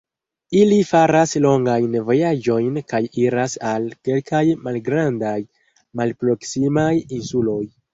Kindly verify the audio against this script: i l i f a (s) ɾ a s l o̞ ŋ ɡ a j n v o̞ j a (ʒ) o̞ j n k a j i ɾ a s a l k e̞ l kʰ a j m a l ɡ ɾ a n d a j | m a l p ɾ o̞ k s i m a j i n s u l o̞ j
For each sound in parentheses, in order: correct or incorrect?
incorrect, incorrect

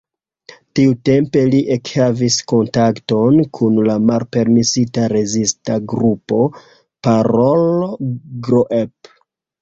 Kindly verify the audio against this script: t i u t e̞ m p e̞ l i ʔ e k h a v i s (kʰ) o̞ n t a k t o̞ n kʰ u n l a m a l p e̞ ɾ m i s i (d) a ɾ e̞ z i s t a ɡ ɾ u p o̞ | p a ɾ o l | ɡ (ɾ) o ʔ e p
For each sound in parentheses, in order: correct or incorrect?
incorrect, incorrect, correct

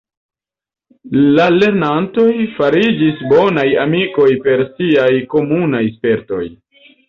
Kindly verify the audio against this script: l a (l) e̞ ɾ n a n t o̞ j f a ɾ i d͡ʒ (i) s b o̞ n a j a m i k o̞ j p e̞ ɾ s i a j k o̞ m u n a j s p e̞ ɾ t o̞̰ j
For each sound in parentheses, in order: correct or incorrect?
correct, correct

